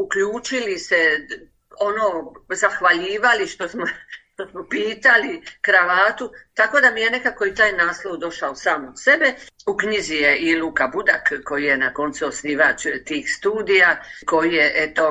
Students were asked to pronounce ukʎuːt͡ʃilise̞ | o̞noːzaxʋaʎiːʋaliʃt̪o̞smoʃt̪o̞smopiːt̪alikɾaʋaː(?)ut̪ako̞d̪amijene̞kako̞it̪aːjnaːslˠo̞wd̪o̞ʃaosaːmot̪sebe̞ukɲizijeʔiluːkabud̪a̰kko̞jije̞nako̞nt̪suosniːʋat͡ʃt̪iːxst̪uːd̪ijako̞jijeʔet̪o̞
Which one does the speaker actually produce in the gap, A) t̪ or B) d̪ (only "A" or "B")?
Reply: A